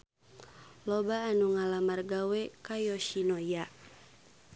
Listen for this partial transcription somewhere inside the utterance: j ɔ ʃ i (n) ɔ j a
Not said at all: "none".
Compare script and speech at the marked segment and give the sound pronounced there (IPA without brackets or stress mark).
n